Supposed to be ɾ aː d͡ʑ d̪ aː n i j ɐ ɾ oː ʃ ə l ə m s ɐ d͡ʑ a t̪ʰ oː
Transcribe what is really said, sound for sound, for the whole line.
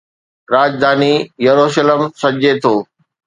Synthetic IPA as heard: ɾ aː d͡ʑ d̪ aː n i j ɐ ɾ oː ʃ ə l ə m s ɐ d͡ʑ e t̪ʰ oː